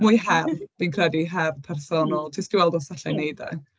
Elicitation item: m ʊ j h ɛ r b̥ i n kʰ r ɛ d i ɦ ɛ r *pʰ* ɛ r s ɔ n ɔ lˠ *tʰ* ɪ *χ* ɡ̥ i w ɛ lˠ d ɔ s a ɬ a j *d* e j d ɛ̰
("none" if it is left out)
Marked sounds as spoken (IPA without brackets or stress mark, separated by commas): pʰ, tʰ, s, n